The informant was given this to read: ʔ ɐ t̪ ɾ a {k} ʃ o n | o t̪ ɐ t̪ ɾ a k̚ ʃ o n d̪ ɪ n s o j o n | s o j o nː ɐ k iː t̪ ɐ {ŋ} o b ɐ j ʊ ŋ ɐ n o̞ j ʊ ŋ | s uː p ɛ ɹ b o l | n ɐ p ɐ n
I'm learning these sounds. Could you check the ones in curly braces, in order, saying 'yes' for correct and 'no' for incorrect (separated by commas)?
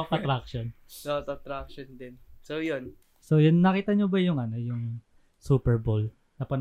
yes, no